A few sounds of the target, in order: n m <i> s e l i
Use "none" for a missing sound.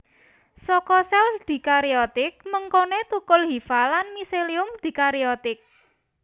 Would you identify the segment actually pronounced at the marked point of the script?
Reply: i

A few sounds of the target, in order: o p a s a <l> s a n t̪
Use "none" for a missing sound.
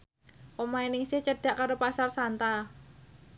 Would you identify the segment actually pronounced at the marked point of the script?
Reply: r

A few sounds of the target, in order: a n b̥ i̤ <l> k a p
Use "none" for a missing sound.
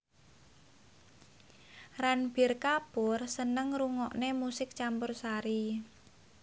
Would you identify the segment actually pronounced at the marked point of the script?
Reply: r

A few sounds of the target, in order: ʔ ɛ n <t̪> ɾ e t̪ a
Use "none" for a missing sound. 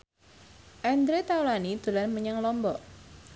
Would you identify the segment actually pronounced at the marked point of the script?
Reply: d̪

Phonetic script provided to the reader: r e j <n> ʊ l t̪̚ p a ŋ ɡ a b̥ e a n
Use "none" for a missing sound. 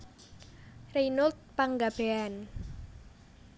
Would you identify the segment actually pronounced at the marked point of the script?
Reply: n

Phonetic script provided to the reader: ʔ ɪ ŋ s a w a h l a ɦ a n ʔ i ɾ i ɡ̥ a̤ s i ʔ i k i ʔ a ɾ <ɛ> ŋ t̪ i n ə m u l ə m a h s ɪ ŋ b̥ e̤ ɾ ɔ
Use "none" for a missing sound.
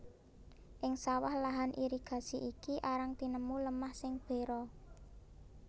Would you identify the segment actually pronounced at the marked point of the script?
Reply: a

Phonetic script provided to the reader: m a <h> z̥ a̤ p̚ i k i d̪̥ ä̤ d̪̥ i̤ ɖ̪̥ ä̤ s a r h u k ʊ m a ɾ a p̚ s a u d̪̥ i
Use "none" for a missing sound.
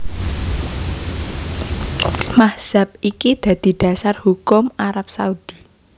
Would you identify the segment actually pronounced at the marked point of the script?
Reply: h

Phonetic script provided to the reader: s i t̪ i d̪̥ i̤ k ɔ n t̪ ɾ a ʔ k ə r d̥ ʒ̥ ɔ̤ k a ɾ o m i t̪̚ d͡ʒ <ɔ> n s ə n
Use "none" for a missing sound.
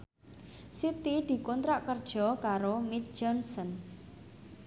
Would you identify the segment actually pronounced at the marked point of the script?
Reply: ɔ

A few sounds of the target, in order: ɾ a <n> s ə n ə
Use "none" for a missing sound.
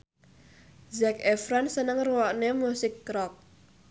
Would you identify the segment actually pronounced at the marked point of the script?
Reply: n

